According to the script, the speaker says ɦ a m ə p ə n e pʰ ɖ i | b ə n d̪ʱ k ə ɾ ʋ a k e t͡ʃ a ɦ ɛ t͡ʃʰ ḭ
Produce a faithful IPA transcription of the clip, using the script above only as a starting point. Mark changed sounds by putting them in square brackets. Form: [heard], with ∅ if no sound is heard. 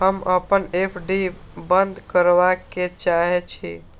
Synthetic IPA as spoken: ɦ [ə] m ə p ə n e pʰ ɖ i | b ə n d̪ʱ k ə ɾ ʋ a k e t͡ʃ a ɦ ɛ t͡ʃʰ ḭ